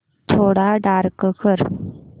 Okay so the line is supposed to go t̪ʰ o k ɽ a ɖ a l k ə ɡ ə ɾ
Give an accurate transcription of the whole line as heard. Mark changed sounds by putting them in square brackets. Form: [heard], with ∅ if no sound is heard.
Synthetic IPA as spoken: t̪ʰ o [∅] ɽ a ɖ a [ɾ] k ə [k] ə ɾ